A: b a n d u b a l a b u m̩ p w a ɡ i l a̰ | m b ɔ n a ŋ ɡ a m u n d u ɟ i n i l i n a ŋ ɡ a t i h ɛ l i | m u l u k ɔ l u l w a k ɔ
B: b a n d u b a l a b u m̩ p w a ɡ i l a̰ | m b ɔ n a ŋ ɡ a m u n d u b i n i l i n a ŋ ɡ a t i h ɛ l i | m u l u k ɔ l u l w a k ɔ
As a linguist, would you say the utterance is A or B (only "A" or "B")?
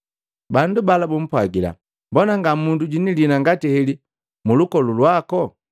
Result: A